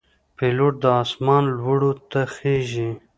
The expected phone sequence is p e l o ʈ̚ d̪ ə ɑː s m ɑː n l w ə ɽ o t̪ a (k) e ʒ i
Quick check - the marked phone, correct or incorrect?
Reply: incorrect